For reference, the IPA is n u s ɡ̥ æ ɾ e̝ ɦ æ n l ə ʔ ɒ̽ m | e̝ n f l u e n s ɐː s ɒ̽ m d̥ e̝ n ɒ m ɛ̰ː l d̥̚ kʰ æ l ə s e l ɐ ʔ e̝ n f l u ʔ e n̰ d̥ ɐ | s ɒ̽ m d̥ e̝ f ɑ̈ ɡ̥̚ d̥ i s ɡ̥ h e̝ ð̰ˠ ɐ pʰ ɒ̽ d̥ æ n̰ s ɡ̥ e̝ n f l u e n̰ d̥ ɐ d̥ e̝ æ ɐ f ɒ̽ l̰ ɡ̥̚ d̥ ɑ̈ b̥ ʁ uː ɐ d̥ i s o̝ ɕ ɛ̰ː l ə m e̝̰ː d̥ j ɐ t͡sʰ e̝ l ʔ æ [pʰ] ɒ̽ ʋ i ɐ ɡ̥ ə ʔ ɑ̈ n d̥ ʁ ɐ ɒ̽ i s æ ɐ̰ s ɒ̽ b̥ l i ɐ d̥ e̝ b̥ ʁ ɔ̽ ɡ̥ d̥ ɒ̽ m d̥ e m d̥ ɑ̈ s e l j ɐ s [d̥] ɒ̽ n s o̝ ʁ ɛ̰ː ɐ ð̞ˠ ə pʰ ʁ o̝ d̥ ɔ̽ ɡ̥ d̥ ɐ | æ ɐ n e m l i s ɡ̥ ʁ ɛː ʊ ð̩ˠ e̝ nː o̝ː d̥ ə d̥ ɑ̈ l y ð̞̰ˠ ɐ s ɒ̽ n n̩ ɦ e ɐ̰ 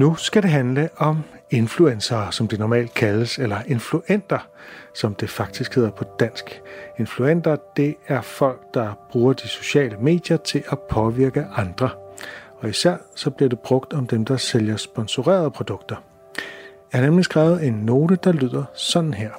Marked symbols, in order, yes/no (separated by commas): yes, no